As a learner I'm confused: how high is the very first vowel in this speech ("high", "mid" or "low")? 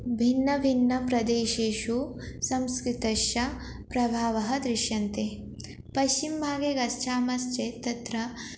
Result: high